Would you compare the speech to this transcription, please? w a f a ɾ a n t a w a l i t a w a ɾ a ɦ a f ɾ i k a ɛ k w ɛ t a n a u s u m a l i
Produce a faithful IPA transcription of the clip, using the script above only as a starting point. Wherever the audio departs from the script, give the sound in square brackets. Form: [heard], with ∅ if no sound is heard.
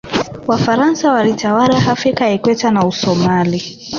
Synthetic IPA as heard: w a f a ɾ a n [s] a w a l i t a w a ɾ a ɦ a f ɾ i k a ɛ k w ɛ t a n a u s [ɔ] m a l i